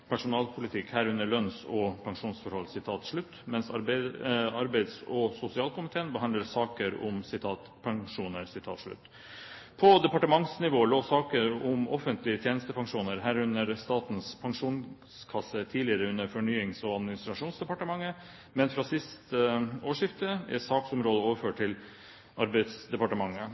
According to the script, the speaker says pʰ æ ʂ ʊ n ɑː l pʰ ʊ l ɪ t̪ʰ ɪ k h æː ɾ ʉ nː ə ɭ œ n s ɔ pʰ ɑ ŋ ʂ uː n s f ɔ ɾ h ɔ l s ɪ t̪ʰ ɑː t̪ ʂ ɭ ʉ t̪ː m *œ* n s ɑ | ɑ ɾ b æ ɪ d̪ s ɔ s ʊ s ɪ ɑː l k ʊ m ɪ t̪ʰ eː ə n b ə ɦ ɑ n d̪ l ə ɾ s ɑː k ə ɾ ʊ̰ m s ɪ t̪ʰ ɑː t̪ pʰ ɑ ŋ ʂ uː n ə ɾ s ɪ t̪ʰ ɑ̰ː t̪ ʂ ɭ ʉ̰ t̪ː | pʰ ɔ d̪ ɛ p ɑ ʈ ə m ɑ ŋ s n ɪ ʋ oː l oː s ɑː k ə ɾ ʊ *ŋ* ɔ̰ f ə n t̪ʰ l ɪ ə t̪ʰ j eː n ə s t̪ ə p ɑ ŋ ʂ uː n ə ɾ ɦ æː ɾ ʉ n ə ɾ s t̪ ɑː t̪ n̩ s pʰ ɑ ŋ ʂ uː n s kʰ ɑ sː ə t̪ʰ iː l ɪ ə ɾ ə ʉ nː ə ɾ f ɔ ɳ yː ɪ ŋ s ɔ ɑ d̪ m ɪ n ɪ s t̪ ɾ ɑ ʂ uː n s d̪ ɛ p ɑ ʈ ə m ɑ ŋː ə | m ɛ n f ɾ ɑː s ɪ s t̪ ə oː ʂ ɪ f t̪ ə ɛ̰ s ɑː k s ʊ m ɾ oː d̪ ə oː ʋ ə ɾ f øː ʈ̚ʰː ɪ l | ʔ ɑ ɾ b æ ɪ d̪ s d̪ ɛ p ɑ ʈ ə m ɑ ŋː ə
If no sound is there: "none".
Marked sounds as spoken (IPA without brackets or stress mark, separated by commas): ɛ, m